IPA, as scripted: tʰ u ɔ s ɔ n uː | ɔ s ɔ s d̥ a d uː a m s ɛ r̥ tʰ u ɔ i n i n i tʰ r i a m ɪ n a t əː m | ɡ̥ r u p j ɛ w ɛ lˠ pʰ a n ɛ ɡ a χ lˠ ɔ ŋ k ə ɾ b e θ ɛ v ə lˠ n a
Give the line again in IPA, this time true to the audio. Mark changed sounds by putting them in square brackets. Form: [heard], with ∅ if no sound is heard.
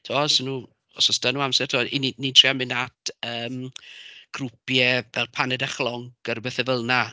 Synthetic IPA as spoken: tʰ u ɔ s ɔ n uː | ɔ s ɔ s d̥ a [n] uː a m s ɛ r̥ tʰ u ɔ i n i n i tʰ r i a m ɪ n a t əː m | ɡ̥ r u p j ɛ [v] ɛ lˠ pʰ a n ɛ [d] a χ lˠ ɔ ŋ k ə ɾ b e θ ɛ v ə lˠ n a

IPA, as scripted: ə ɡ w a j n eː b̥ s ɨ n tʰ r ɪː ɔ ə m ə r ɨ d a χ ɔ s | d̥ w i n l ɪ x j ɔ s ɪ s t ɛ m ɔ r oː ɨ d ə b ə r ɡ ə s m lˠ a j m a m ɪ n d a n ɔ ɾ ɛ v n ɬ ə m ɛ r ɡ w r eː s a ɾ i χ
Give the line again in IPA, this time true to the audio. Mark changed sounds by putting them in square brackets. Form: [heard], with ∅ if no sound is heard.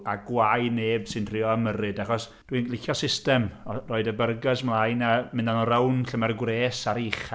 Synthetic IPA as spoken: [a] ɡ w a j n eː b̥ s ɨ n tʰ r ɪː ɔ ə m ə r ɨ d a χ ɔ s | d̥ w i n l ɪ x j ɔ s ɪ s t ɛ m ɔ r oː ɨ d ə b ə r ɡ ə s m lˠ a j [n] a m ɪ n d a n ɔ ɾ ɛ [w] n ɬ ə m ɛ r ɡ w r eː s a ɾ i χ

